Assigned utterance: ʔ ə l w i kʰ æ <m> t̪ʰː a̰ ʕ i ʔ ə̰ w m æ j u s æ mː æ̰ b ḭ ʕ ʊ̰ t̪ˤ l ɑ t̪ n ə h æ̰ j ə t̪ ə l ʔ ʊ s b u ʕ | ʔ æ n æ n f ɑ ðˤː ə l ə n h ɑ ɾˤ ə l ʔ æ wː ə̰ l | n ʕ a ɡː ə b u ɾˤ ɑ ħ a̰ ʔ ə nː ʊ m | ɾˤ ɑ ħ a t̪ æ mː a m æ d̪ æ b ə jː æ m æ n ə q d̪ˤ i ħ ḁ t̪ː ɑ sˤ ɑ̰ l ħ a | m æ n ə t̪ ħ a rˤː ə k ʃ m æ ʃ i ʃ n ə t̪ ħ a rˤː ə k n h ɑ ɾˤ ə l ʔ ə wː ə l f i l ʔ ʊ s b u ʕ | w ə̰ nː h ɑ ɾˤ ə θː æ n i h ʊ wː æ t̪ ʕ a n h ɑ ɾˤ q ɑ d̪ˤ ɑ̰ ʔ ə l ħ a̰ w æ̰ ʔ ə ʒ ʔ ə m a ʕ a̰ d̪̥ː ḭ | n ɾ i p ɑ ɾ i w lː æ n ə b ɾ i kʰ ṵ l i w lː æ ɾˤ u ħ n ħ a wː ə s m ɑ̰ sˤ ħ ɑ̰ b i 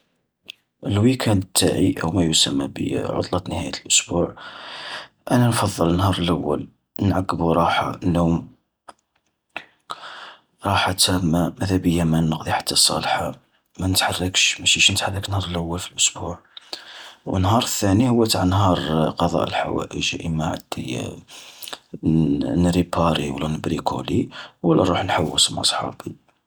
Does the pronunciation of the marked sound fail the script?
yes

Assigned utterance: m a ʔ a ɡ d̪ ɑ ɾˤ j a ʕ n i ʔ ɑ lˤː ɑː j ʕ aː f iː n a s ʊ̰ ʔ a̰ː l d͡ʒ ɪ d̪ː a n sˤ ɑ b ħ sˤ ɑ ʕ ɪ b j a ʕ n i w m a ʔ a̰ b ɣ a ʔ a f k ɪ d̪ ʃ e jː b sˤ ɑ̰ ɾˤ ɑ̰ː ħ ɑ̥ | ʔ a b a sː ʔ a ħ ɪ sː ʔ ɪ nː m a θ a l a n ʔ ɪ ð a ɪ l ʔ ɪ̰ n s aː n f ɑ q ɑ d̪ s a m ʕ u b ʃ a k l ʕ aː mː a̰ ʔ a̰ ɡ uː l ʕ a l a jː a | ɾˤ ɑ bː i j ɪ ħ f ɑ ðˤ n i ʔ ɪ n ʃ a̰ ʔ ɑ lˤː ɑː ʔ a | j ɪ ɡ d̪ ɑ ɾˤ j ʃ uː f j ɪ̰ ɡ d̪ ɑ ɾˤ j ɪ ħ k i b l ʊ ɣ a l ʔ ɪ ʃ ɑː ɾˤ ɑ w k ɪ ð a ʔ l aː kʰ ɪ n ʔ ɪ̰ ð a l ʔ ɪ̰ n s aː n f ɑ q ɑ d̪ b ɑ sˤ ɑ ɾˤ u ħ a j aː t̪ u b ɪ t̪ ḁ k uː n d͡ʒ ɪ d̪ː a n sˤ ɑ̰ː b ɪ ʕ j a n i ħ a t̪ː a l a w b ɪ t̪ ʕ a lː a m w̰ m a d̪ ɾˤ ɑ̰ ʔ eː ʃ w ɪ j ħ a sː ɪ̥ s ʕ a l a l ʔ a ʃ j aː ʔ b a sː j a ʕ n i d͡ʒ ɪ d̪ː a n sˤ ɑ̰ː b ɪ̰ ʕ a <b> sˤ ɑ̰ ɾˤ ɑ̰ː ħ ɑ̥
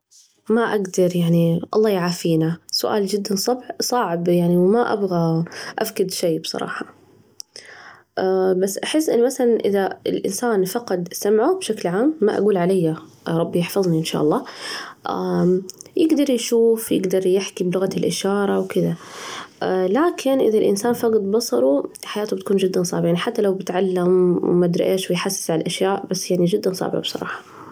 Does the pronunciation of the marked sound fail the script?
no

